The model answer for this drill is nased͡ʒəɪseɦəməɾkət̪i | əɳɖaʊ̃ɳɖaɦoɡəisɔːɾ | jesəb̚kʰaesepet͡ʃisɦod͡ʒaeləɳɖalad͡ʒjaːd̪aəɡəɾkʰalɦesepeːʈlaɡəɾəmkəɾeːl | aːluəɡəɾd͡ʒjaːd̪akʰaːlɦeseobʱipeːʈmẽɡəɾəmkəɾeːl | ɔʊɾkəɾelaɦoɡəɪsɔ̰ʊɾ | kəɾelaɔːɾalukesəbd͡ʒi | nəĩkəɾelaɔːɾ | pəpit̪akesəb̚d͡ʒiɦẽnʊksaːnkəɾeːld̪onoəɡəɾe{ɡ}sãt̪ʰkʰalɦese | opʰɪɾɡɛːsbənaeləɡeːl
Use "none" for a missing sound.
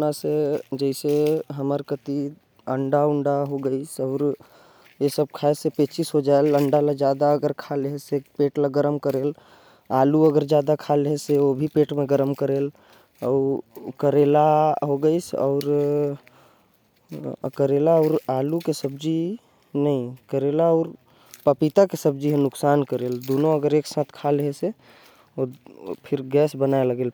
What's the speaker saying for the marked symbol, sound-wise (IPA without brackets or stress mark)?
k